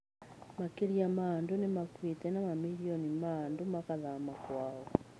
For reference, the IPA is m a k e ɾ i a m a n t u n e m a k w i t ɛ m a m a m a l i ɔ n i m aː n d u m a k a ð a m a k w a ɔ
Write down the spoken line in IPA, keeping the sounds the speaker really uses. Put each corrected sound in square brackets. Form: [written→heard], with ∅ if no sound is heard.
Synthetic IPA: m a k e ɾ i a m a n [t→d] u n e m a k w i t ɛ [m→n] a m a m [a→i] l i ɔ n i m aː n d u m a k a ð a m a k w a ɔ